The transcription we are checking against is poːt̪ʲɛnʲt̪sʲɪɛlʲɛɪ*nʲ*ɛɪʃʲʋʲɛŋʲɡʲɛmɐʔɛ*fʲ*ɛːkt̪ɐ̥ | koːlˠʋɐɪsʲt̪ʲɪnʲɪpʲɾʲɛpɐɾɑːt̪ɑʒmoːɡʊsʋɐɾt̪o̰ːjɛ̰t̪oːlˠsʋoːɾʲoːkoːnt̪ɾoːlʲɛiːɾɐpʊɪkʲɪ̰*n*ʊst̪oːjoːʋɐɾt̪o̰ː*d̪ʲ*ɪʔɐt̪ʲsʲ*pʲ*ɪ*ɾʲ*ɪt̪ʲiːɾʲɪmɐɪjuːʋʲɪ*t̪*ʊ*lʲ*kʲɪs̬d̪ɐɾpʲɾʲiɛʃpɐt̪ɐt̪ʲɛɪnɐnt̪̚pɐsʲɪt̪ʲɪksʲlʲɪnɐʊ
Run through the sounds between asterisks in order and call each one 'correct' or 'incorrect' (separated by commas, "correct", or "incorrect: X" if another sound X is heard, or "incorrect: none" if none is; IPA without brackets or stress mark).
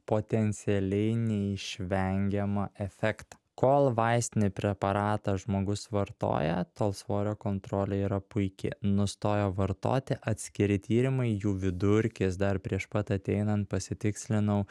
correct, correct, correct, incorrect: t̪ʲ, incorrect: kʲ, correct, incorrect: d̪, incorrect: ɾʲ